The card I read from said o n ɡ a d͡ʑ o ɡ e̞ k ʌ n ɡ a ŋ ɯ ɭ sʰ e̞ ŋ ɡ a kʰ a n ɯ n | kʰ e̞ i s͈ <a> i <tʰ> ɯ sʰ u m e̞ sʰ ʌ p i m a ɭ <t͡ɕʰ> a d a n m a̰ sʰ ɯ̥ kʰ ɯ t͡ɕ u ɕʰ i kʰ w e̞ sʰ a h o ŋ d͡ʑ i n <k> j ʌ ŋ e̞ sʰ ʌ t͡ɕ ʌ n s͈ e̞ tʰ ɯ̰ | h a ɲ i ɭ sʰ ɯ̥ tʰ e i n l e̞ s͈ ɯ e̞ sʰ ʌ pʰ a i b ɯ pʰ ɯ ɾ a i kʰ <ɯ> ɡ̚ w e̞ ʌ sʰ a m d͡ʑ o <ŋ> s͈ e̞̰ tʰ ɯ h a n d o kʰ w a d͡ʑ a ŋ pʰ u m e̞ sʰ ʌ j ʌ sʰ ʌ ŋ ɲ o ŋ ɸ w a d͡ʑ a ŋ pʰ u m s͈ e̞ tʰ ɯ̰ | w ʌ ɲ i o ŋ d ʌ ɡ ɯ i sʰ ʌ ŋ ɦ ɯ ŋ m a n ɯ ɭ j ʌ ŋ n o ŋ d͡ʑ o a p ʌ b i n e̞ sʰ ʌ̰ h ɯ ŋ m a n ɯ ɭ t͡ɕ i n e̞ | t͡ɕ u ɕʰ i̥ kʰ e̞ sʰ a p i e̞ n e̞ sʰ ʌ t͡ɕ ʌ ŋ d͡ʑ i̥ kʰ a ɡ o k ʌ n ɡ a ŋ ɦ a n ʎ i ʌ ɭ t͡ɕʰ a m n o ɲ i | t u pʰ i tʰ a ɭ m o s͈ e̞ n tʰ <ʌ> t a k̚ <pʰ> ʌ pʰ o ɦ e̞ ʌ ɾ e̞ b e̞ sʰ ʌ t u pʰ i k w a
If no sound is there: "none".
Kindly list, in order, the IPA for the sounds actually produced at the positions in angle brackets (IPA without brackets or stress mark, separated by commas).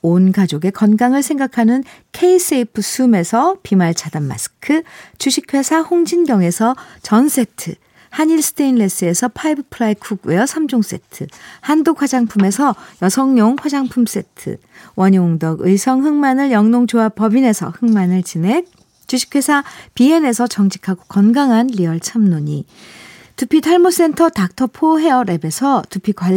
e, pʰ, t͡ɕʰ, ɡ, u, ŋ, ʌ, tʰ